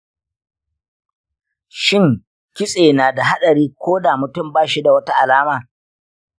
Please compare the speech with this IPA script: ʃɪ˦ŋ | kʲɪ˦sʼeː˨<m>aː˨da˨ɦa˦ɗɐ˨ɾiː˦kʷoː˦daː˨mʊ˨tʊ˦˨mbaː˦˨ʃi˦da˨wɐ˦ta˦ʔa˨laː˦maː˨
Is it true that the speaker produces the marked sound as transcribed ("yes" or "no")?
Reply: no